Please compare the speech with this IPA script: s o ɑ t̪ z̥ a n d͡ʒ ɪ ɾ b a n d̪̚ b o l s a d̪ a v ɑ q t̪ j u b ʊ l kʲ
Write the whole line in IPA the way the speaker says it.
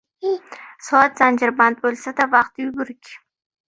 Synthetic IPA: s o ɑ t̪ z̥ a n d͡ʒ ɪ ɾ b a n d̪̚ b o l s a d̪ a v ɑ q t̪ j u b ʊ ɾ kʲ